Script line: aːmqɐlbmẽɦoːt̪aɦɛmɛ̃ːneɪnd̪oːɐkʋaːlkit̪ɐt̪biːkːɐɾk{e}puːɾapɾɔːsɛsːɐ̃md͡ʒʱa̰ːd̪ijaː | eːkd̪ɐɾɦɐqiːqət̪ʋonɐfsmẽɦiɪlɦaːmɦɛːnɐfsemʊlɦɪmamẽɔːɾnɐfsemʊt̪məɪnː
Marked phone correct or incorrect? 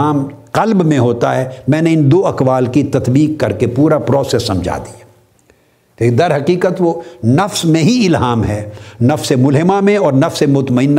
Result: correct